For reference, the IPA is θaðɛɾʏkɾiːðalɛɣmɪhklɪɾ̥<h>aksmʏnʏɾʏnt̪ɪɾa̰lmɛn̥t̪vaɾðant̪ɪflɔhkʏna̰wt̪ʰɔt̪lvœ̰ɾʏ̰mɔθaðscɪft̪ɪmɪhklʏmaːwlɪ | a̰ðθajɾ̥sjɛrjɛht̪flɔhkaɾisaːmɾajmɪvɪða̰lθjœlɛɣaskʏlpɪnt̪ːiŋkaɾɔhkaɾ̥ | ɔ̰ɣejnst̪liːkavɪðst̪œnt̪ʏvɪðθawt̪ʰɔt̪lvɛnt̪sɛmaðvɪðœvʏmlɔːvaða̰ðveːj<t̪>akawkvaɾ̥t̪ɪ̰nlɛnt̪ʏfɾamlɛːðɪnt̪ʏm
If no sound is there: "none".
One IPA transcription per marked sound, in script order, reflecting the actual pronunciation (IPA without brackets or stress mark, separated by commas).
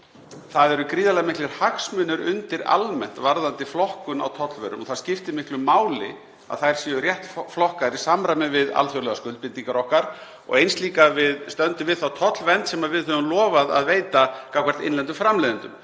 h, t̪